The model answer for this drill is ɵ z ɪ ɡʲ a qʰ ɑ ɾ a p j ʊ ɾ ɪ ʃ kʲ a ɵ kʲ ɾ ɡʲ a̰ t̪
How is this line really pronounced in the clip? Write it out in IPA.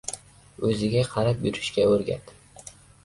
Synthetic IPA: ɵ z ɪ ɡʲ a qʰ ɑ ɾ a p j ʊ ɾ ɪ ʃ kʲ a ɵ ɾ ɡʲ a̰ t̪